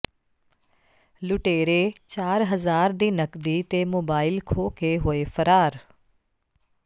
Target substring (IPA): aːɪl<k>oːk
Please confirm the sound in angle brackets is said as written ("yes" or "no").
no